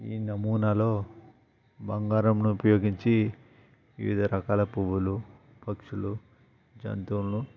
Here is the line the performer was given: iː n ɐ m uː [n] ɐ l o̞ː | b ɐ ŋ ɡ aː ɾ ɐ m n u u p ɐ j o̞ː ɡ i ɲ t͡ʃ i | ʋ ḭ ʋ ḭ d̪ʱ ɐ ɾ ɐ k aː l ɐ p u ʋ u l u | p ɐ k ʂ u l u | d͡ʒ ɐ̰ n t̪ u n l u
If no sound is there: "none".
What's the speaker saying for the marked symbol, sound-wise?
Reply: n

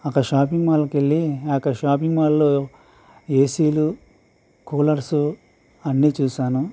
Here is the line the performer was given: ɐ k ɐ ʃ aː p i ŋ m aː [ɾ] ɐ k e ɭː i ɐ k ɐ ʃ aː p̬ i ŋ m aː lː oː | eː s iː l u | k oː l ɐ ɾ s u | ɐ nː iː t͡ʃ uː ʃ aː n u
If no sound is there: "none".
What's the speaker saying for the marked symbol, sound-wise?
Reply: l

